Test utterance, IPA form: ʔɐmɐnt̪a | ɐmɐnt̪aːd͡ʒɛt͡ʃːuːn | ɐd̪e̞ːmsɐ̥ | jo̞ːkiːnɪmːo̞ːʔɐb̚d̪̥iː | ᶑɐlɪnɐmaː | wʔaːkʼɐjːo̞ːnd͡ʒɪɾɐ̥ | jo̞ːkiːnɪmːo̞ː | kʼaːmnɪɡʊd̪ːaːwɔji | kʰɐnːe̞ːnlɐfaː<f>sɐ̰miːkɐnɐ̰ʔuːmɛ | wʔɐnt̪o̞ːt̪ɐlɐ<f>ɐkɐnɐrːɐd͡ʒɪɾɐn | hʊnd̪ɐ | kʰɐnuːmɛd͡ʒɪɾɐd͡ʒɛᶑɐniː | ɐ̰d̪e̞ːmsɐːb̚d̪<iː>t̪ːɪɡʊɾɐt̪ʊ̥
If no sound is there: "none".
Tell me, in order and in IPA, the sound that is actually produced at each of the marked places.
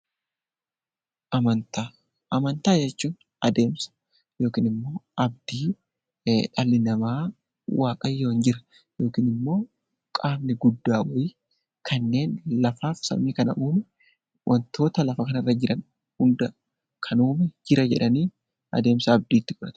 f, f, iː

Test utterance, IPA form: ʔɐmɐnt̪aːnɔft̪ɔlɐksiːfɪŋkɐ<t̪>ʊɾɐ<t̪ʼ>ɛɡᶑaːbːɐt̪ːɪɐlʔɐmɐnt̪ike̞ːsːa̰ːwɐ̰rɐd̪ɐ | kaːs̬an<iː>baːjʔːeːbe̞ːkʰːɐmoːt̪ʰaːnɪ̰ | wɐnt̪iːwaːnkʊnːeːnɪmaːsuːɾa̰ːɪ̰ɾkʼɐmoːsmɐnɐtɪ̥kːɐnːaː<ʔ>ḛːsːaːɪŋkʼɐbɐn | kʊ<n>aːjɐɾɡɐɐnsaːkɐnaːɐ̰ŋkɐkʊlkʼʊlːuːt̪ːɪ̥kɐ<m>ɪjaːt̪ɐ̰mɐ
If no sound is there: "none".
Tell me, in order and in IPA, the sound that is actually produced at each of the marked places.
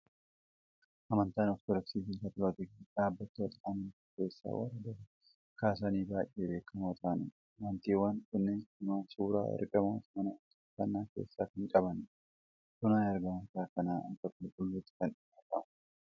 t̪, t̪, iː, k, n, n

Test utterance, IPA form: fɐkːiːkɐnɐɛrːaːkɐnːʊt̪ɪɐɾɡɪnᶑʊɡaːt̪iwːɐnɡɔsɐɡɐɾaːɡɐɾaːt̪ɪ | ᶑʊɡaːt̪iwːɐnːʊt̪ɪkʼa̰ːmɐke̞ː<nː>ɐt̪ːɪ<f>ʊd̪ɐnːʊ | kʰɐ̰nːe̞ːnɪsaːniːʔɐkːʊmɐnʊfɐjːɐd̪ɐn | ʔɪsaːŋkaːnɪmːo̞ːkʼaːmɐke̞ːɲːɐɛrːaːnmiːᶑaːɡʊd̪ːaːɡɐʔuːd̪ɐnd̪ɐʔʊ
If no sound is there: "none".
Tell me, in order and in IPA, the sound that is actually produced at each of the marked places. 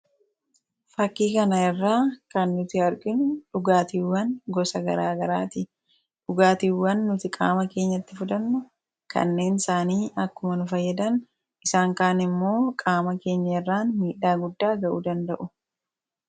ɲː, f

